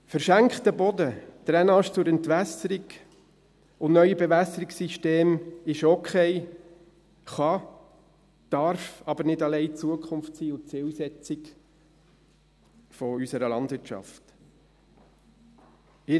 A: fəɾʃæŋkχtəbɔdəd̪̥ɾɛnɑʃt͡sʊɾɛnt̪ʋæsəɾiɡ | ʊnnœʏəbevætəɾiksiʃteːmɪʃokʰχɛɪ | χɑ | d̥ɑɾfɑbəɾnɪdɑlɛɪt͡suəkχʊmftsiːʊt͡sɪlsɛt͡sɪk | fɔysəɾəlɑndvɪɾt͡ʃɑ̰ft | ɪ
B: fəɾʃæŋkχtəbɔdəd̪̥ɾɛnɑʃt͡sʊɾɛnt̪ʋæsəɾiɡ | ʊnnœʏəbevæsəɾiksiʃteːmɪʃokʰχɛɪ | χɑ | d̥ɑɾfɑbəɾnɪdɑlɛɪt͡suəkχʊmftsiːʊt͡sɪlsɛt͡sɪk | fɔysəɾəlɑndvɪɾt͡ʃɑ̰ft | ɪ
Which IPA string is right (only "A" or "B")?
B